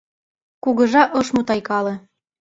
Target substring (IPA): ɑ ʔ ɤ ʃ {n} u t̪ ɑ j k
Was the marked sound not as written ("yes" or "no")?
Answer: yes